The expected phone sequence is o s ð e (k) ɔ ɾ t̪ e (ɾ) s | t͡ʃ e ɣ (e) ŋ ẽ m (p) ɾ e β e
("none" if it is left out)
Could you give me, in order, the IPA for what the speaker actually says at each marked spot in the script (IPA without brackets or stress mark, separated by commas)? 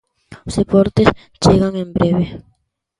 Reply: p, none, a, b